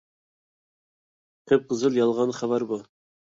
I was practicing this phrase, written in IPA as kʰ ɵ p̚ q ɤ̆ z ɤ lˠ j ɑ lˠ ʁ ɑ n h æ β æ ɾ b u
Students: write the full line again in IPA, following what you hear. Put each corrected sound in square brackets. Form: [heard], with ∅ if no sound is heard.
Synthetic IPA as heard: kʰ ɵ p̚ q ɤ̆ z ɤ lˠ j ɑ lˠ ʁ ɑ n [χ] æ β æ ɾ b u